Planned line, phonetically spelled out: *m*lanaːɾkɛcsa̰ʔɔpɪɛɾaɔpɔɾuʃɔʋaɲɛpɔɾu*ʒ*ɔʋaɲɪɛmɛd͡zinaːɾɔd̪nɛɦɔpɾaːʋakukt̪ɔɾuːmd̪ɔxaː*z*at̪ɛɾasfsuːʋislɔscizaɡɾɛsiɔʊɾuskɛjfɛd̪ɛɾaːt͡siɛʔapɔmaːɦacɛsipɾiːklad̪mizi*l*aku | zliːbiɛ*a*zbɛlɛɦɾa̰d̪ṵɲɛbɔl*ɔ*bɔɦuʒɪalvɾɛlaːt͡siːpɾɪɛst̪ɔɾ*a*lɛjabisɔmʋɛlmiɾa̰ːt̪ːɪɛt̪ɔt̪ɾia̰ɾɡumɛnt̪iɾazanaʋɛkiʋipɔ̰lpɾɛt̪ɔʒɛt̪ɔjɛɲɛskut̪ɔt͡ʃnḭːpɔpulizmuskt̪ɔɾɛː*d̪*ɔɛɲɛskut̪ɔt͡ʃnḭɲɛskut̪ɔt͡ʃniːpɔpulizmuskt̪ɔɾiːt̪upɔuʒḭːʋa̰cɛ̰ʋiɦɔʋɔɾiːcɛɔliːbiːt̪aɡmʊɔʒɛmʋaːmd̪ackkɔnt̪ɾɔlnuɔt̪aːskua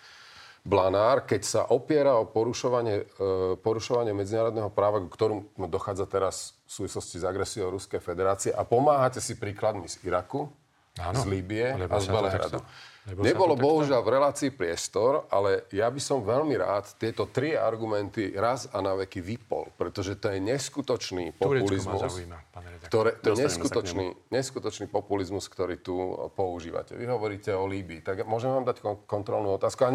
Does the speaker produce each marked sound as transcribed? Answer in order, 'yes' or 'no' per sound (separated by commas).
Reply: no, no, no, no, yes, yes, yes, no